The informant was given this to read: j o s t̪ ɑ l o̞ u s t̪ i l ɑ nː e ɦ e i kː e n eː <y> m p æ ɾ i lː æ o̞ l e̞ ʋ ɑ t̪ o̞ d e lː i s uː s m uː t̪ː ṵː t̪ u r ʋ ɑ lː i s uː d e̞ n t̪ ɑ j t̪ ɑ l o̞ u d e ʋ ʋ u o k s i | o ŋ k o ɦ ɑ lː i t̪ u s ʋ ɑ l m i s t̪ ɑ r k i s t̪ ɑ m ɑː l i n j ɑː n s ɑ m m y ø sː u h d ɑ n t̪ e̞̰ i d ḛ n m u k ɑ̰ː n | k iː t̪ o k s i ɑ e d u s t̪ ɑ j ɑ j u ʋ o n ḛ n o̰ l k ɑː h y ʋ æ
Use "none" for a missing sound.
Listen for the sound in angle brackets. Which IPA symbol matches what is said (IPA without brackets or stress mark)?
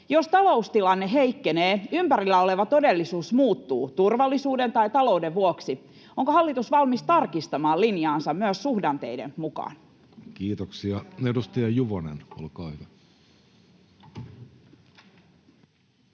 y